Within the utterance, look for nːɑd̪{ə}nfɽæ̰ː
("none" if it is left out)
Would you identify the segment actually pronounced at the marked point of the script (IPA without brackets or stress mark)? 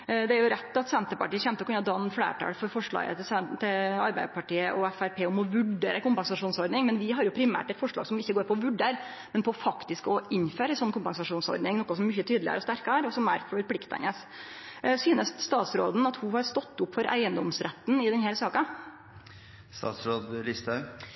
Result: ɑ